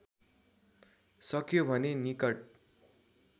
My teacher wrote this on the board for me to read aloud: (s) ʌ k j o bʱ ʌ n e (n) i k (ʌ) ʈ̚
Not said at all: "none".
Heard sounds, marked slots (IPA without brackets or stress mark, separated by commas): s, n, ʌ